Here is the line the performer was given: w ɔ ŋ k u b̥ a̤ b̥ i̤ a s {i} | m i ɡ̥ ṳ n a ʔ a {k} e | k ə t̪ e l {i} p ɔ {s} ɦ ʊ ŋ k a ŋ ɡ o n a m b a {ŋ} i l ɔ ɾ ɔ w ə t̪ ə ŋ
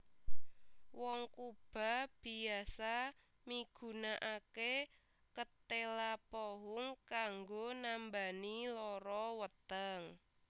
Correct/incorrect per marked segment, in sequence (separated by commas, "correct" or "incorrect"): incorrect, correct, incorrect, incorrect, incorrect